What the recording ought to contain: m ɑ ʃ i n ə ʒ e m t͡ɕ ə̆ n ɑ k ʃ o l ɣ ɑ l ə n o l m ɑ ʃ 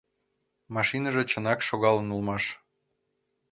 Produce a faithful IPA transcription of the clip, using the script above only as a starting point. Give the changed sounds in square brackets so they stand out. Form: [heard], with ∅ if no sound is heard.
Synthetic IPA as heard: m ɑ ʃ i n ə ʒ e [∅] t͡ɕ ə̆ n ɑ k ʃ o [∅] ɣ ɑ l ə n [u] l m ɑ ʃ